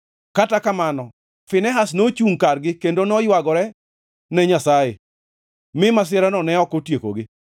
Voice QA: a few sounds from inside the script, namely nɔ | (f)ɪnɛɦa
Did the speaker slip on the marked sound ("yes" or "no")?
no